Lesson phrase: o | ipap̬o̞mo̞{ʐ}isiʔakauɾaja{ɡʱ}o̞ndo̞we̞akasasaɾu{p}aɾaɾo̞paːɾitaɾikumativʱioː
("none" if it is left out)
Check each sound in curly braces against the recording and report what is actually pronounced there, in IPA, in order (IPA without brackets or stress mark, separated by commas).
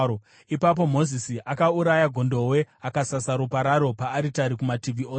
z, ɡʱ, p